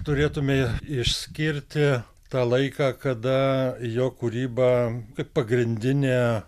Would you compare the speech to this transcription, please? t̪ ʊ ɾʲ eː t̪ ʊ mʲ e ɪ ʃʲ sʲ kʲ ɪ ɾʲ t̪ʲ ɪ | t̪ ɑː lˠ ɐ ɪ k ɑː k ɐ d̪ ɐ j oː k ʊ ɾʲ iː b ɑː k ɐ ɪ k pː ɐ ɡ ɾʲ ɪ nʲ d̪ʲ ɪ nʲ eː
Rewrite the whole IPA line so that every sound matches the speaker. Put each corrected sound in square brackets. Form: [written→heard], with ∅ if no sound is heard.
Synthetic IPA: t̪ ʊ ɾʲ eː t̪ ʊ mʲ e ɪ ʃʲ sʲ kʲ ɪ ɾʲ t̪ʲ ɪ | t̪ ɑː lˠ ɐ ɪ k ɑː k ɐ d̪ ɐ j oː k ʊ ɾʲ iː b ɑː k ɐ ɪ [k→p] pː ɐ ɡ ɾʲ ɪ nʲ d̪ʲ ɪ nʲ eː